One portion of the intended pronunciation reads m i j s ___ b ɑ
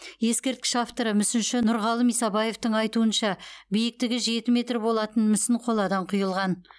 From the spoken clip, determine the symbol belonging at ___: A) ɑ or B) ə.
A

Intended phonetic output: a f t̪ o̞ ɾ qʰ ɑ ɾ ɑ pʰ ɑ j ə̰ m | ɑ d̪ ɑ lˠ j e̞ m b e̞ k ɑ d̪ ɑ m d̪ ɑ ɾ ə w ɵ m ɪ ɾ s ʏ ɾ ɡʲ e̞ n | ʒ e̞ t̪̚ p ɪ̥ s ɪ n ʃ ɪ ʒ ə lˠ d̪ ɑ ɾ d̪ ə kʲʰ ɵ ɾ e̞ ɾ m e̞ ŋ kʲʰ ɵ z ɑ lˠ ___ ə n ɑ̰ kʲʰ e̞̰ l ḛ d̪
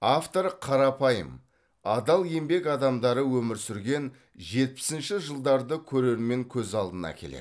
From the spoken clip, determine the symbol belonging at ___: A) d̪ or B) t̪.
A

